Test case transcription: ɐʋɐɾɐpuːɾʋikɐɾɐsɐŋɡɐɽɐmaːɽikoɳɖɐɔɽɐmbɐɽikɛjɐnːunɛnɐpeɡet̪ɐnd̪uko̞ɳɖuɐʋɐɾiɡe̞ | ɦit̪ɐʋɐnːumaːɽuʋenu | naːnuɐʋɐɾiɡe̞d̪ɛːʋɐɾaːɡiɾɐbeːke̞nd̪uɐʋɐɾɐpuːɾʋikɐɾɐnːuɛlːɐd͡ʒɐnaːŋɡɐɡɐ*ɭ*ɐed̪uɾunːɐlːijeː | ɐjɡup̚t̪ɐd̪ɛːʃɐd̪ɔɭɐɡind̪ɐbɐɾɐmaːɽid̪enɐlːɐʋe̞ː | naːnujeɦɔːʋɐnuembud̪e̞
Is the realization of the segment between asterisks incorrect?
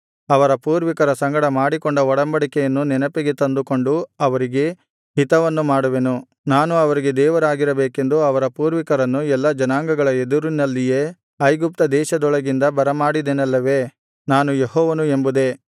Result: no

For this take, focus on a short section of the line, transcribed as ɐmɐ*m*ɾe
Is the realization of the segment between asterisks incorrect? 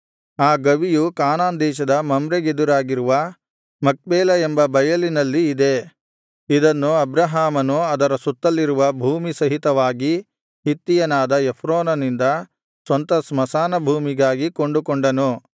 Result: no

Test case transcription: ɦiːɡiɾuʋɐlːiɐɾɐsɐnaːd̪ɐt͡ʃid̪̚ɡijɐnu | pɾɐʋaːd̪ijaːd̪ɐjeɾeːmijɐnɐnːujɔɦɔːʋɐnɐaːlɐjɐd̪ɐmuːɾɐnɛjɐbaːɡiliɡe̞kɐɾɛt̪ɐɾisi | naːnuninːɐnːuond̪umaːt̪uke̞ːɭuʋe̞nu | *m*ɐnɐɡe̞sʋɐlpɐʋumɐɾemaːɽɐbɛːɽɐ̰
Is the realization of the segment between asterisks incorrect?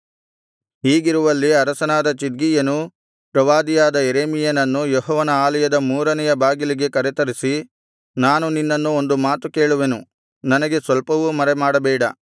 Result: yes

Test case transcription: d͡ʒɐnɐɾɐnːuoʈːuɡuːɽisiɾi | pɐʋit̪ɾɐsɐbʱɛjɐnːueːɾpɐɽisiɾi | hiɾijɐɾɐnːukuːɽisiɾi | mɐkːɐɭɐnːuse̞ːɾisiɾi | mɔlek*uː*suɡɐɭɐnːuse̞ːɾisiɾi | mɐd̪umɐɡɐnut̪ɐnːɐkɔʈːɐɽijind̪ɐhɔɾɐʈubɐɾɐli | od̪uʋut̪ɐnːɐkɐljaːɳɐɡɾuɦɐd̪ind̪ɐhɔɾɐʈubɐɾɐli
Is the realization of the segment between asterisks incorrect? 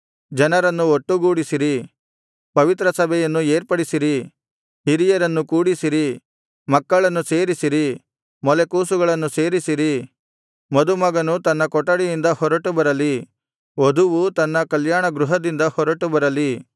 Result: no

